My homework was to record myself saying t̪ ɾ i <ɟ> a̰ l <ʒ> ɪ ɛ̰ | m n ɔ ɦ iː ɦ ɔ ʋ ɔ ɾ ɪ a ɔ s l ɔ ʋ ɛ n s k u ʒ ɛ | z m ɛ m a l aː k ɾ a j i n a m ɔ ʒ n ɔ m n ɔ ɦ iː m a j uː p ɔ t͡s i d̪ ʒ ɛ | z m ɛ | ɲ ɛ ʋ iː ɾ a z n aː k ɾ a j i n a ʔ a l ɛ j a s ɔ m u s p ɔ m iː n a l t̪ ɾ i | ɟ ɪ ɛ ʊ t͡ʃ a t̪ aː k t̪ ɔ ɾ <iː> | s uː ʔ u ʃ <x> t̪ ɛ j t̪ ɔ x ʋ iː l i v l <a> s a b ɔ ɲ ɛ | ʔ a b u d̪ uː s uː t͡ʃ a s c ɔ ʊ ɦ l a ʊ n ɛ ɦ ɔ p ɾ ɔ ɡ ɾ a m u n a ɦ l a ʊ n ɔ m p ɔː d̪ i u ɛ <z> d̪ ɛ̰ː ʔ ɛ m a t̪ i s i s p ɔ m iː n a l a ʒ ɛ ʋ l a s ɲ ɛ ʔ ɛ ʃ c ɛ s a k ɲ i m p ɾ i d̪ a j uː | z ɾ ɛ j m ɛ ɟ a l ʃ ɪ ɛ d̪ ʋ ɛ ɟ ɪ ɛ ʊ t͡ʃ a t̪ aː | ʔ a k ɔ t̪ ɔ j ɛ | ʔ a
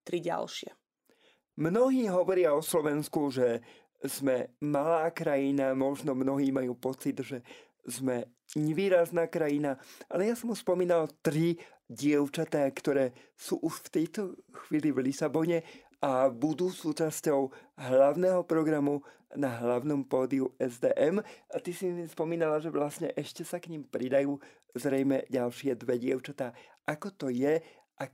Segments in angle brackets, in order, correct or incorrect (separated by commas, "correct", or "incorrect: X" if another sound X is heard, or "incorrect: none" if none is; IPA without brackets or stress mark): correct, incorrect: ʃ, incorrect: ɛː, incorrect: f, incorrect: i, correct